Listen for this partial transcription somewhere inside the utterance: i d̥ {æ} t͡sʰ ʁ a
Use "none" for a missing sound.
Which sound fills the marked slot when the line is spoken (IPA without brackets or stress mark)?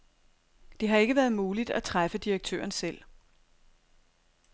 æ